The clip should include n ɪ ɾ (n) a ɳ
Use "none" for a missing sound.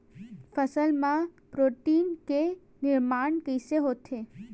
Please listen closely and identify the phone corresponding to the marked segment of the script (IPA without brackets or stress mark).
m